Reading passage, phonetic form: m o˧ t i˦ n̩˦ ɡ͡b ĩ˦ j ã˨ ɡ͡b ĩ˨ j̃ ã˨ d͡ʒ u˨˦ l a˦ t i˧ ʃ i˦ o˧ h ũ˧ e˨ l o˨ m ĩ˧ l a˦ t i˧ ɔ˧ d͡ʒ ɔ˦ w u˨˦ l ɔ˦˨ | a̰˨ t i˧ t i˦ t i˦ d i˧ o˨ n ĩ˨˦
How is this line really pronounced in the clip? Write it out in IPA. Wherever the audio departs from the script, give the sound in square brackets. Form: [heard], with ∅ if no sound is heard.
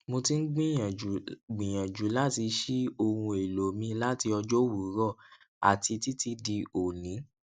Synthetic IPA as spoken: m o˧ t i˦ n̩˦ ɡ͡b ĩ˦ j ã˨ ɡ͡b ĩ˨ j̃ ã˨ d͡ʒ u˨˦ l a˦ t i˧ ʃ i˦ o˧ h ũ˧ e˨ l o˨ m ĩ˧ l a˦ t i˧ ɔ˧ d͡ʒ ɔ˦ w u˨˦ [ɾ] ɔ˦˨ | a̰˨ t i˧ t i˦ t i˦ d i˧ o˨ n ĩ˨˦